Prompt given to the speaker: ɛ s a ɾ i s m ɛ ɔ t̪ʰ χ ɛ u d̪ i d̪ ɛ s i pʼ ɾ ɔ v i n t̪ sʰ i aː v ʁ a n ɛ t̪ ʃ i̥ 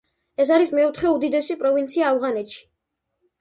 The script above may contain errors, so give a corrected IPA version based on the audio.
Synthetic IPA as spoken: ɛ s a ɾ i s m ɛ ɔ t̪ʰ χ ɛ u d̪ i d̪ ɛ s i pʼ ɾ ɔ v i n t̪ sʰ i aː v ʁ a n ɛ t̪ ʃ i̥